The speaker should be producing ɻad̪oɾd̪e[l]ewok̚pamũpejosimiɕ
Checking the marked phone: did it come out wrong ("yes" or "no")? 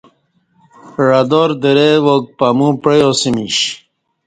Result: yes